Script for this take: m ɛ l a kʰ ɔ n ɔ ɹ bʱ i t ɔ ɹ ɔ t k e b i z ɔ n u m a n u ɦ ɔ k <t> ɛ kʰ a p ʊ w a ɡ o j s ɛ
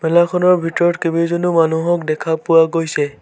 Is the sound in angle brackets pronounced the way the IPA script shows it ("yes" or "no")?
no